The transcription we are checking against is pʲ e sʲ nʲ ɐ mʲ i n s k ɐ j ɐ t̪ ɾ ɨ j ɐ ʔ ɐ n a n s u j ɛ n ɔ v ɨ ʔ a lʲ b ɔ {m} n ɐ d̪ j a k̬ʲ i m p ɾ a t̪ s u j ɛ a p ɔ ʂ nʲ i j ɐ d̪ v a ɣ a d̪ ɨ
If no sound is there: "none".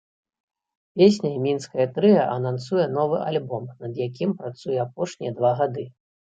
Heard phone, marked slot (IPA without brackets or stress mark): m